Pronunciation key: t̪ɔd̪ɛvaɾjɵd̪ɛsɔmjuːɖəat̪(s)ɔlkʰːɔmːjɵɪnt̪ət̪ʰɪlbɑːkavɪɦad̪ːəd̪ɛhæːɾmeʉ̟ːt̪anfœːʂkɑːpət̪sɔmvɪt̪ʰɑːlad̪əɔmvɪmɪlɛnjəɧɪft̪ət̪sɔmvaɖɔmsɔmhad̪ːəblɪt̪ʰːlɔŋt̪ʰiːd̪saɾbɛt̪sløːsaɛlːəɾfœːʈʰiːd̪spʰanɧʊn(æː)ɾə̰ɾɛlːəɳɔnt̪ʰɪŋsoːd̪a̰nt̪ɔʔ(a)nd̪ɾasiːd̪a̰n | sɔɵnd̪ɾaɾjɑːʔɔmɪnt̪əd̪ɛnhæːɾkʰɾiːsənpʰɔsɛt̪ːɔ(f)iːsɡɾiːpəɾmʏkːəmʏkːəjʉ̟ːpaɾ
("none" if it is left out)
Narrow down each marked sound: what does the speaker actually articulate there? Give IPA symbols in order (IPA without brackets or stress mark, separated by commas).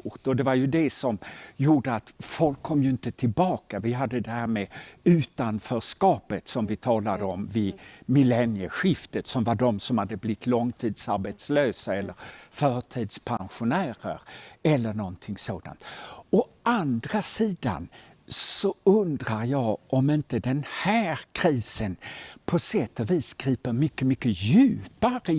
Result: f, æː, a, v